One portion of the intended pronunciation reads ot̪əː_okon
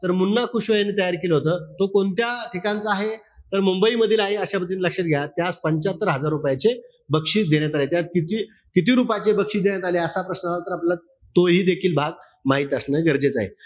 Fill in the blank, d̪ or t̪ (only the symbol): t̪